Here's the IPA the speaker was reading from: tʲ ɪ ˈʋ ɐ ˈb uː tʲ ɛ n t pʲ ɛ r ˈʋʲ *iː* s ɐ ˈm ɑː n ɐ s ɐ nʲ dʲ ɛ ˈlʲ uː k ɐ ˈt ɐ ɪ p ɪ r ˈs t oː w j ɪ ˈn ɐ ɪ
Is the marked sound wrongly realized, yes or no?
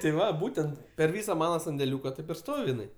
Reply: no